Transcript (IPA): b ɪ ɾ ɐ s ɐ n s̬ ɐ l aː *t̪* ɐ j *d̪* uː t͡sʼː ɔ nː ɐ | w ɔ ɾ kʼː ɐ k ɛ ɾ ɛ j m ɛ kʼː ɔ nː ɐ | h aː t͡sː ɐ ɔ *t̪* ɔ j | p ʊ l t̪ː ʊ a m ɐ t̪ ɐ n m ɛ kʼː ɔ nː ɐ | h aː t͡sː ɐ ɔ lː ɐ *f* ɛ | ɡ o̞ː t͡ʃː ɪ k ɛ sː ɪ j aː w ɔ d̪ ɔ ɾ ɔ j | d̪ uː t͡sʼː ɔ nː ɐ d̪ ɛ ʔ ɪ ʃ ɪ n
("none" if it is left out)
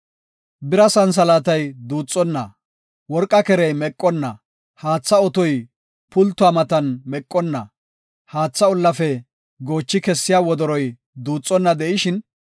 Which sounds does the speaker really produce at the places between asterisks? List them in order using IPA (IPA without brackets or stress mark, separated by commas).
t̪, d̪, t̪, f